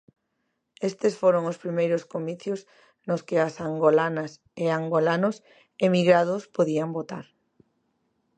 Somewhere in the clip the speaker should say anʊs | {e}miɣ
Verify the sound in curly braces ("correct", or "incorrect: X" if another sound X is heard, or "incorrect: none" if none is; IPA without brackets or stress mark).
correct